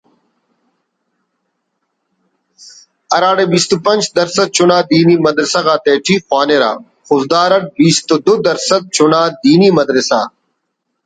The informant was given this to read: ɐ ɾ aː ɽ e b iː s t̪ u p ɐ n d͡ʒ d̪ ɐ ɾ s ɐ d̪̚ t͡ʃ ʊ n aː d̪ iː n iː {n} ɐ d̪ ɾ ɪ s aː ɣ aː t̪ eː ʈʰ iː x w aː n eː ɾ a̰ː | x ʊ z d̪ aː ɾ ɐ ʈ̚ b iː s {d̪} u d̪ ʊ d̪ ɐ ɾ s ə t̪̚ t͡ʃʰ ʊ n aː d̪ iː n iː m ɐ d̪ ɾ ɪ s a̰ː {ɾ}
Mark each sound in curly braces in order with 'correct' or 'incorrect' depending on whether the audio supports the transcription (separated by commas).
incorrect, incorrect, incorrect